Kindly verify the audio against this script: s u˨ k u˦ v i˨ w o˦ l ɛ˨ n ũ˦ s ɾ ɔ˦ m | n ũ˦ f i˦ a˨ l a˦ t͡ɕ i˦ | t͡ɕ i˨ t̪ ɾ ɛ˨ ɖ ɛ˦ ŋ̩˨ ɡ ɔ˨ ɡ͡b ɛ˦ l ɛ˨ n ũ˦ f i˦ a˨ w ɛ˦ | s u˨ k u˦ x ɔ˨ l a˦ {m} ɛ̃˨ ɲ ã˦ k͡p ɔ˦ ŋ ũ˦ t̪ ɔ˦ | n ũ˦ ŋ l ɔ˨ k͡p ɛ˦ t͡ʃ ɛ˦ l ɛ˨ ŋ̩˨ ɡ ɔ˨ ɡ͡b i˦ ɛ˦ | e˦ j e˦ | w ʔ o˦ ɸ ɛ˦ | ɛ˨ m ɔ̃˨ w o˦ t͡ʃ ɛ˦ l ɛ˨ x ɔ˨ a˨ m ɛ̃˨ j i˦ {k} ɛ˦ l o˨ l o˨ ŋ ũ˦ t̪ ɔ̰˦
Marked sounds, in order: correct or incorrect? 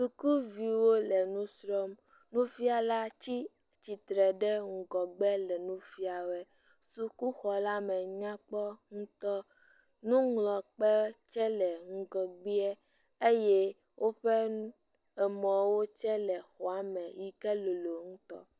correct, correct

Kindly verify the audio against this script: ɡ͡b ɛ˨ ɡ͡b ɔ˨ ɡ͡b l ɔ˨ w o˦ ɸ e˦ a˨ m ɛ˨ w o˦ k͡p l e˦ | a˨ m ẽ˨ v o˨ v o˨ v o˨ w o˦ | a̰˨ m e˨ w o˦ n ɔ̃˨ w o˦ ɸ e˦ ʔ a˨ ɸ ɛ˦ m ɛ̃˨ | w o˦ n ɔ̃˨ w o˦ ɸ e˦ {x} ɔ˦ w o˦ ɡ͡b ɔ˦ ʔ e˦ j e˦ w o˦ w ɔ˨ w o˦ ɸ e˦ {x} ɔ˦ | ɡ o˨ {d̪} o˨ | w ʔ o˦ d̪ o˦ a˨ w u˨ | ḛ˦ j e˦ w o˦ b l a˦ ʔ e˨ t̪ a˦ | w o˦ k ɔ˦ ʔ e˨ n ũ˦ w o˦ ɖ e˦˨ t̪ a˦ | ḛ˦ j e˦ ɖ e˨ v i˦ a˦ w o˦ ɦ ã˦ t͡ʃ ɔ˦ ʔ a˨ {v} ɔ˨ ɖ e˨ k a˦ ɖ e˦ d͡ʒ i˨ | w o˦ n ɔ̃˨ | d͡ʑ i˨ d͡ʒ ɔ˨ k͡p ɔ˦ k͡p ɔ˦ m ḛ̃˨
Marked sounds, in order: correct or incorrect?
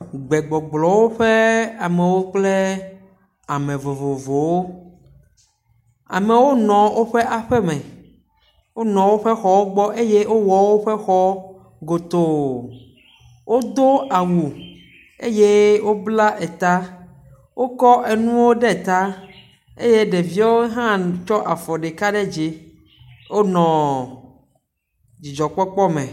correct, correct, incorrect: t̪, incorrect: f

